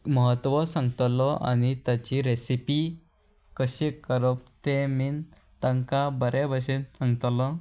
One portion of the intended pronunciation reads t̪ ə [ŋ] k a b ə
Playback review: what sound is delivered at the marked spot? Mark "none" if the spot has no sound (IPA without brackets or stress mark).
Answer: ŋ